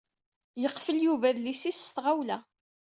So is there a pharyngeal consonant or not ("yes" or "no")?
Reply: no